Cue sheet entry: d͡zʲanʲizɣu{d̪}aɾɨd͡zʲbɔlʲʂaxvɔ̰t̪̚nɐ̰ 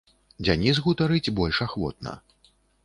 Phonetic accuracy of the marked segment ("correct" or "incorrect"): incorrect